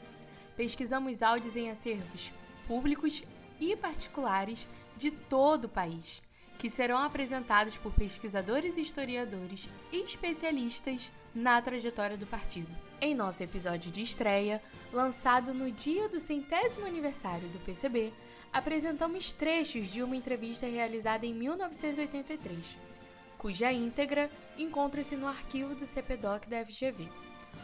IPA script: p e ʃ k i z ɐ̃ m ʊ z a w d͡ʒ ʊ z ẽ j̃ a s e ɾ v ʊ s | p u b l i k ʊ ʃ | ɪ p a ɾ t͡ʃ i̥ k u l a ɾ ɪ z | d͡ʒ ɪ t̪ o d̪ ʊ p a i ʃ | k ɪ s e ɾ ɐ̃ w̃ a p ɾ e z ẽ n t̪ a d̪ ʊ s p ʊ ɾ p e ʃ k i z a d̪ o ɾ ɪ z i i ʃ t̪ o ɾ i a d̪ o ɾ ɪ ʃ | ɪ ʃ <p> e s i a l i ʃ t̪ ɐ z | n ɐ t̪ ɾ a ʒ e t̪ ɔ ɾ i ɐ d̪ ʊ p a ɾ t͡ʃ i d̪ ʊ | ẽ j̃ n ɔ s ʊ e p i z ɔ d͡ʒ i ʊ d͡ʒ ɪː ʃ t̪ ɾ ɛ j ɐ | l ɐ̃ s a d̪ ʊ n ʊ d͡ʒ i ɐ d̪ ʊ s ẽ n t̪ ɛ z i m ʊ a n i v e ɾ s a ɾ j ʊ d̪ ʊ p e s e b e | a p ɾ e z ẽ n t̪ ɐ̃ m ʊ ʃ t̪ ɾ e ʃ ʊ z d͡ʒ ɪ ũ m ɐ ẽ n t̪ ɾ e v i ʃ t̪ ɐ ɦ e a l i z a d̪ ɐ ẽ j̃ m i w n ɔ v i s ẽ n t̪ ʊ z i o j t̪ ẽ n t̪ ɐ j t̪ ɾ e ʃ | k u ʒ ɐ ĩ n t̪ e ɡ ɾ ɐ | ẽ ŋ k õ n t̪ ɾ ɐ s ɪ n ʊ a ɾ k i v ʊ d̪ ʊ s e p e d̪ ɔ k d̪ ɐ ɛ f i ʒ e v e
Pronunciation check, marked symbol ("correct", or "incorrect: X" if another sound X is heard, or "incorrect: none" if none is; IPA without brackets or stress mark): correct